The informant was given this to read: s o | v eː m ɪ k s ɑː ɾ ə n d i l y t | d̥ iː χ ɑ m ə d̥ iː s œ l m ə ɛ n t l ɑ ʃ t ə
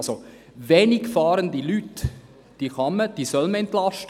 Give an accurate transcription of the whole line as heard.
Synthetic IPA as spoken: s o | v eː n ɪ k f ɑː ɾ ə n d i l y t | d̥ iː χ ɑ m ə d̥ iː s œ l m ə ɛ n t l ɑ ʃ t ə

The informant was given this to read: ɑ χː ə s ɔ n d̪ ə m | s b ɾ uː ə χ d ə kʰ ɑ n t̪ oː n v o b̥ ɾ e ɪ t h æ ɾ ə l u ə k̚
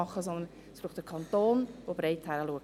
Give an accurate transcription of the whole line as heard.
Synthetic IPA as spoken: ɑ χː ə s ɔ n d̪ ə n | s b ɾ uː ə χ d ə kʰ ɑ n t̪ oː n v o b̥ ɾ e ɪ t h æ ɾ ə l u ə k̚

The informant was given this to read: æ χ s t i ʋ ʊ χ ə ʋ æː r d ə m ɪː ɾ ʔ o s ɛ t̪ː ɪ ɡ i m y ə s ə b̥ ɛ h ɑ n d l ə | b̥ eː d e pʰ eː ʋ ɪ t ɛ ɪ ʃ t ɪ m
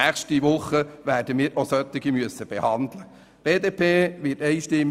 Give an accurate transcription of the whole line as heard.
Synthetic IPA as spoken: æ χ ʃ t i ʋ ʊ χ ə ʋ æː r d ə m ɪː ɾ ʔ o s œ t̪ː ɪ ɡ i m y ə s ə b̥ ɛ h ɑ n d l ə | b̥ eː d e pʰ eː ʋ ɪ t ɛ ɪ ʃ t ɪ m

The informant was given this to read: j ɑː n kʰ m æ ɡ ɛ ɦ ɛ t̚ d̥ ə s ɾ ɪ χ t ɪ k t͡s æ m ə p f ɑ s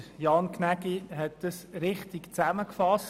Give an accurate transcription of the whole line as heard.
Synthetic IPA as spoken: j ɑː n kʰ n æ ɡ i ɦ ɛ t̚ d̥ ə s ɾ ɪ χ t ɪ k t͡s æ m ə k f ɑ s

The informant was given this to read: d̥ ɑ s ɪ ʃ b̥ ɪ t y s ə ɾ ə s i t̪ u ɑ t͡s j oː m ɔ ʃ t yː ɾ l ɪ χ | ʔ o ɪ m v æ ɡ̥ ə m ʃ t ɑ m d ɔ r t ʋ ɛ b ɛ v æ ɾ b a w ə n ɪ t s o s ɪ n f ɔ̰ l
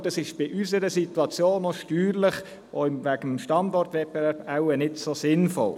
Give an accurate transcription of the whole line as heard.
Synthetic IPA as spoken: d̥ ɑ s ɪ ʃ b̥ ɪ ʔ y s ə ɾ ə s i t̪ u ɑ t͡s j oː n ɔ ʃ t yː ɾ l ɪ χ | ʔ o ɪ m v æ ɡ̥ ə m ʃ t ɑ n d ɔ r t ʋ ɛ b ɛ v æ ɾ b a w ə n ɪ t s o s ɪ n f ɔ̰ l

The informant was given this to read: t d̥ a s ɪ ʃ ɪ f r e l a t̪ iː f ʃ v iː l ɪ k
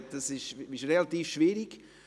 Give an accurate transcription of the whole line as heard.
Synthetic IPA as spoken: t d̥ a s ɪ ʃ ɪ ʃ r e l a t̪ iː f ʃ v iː ɾ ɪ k

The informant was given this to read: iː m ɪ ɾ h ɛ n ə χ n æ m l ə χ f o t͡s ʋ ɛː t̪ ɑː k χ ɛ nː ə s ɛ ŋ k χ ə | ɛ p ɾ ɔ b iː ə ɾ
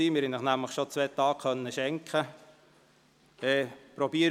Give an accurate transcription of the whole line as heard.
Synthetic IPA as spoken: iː m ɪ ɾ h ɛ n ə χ n æ m l ə χ ʃ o t͡s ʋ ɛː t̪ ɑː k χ œ nː ə ʃ ɛ ŋ k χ ə | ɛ p ɾ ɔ b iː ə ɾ

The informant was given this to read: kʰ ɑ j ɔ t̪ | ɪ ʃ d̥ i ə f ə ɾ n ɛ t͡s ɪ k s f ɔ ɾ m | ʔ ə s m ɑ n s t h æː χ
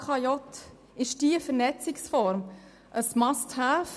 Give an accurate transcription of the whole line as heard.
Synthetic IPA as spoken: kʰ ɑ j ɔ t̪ | ɪ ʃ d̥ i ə f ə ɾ n ɛ t͡s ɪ k s f ɔ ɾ m | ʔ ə s m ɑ s t h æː f

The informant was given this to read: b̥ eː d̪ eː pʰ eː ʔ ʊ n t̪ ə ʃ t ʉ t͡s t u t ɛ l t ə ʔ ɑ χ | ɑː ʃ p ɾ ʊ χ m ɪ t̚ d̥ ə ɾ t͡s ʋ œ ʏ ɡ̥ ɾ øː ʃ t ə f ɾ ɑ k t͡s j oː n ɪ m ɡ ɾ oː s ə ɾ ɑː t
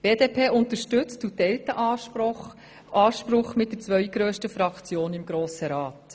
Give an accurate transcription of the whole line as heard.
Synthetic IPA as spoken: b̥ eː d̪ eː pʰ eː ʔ ʊ n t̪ ə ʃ t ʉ t͡s t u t ɛ l t ə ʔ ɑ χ | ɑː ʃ p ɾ ʊ χ m ɪ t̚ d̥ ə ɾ t͡s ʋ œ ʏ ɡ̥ ɾ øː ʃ t ə f ɾ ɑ k t͡s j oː n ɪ m ɡ ɾ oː s ə ɾ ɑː t

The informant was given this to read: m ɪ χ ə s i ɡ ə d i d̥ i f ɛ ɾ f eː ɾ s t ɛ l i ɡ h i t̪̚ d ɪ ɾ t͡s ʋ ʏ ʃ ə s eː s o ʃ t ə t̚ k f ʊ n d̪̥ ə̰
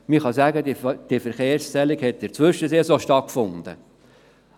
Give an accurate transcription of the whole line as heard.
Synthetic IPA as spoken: m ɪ χ ɑ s æ ɡ ə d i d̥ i f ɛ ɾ χ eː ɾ s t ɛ l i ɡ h ɛ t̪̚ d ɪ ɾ t͡s ʋ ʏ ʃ ə s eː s o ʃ t ɑ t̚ k f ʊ n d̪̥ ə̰

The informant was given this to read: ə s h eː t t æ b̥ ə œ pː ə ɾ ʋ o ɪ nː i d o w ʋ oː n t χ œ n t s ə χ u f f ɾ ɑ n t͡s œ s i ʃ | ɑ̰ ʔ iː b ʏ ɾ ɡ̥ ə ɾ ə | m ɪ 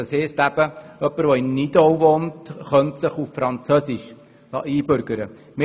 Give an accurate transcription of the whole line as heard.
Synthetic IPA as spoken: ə s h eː s t æ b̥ ə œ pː ə ɾ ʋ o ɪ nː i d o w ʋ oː n t χ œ n t s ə χ u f f ɾ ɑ n t͡s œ s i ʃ | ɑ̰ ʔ iː b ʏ ɾ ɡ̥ ə ɾ ə | m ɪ

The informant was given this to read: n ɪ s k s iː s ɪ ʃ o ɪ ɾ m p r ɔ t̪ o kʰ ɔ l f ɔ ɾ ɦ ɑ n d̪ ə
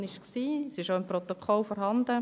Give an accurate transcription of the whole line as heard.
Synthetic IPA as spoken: n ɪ ʃ k s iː s ɪ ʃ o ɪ m p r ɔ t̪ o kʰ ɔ l f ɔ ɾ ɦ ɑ n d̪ ə

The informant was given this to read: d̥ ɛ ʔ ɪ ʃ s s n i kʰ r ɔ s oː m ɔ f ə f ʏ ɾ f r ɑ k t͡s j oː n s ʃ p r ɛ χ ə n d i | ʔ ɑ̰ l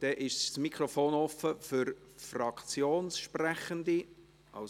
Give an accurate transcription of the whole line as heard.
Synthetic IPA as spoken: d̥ ɛ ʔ ɪ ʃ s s m i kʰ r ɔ f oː n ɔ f ə f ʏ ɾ f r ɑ k t͡s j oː n s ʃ p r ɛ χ ə n d i | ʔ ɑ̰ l

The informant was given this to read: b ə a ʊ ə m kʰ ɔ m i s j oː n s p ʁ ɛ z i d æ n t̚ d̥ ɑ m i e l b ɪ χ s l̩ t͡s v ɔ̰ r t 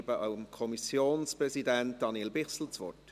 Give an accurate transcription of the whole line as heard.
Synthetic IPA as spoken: b ə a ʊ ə m kʰ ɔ m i s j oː n s p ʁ ɛ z i d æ n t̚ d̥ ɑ n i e l b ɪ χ s l̩ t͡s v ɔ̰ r t

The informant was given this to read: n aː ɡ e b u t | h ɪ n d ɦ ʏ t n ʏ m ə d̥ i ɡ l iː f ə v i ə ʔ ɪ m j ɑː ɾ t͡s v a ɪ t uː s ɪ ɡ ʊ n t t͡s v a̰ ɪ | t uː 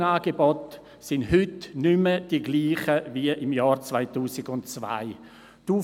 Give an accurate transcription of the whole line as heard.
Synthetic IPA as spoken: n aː ɡ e b ɔ t | s ɪ n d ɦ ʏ t n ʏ m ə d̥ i ɡ l iː χ ə v i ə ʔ ɪ m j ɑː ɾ t͡s v a ɪ t uː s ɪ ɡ ʊ n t t͡s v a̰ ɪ | t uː

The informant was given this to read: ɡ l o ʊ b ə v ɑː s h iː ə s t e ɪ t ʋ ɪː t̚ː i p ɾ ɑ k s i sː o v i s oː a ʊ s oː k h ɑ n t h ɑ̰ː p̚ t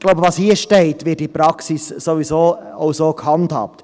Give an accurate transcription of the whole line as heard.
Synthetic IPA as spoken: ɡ l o ʊ b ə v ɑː s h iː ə ʃ t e ɪ t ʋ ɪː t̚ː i p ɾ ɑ k s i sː o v i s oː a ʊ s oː k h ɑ n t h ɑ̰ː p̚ t

